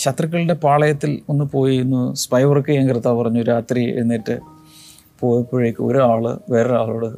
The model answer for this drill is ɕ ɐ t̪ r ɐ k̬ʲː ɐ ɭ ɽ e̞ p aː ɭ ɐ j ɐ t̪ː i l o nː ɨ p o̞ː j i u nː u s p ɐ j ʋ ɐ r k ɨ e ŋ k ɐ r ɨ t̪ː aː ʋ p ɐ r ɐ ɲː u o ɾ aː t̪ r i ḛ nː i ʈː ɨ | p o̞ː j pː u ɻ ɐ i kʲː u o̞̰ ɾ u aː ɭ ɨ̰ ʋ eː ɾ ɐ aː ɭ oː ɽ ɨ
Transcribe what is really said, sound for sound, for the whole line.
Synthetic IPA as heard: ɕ ɐ t̪ r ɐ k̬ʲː ɐ ɭ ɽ e̞ p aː ɭ ɐ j ɐ t̪ː i l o nː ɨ p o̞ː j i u nː u s p ɐ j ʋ ɐ r k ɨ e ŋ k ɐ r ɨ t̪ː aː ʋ p ɐ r ɐ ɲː u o ɾ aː t̪ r i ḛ nː i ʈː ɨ | p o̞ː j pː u ɻ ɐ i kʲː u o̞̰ ɾ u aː ɭ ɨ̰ ʋ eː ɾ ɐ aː ɭ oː ɽ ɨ